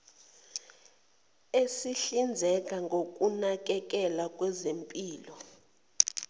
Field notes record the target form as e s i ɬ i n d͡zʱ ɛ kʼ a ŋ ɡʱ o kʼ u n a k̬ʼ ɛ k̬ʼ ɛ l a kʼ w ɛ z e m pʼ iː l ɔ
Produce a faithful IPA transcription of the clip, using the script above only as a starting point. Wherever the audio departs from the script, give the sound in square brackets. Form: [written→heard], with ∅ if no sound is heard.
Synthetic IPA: e s i ɬ i n d͡zʱ ɛ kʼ a ŋ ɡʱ o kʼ u n a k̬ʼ ɛ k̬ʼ ɛ l a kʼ w ɛ z e m pʼ iː l ɔ